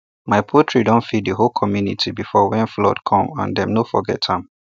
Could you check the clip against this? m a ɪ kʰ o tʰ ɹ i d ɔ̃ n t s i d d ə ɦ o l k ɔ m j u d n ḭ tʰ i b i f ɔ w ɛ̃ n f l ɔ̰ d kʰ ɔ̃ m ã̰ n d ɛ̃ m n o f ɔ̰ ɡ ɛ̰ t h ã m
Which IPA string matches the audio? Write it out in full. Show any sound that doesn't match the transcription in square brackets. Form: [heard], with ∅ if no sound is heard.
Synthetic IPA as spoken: m a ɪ [pʰ] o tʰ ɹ i d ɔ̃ n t [f] i d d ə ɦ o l [kʰ] ɔ m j u [∅] n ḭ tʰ i b i f ɔ w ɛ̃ n f l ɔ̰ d kʰ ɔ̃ m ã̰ n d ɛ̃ m n o f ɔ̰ ɡ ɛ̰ t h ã m